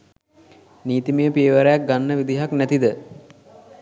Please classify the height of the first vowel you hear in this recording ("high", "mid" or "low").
high